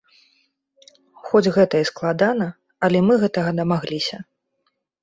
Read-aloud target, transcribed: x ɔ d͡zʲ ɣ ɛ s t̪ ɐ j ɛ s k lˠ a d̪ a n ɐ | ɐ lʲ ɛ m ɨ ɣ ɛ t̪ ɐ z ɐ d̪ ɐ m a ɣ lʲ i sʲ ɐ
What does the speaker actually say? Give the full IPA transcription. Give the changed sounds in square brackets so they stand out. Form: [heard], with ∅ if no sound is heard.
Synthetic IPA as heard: x ɔ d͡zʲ ɣ ɛ [∅] t̪ ɐ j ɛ s k lˠ a d̪ a n ɐ | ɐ lʲ ɛ m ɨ ɣ ɛ t̪ ɐ [ɣ] ɐ d̪ ɐ m a ɣ lʲ i sʲ ɐ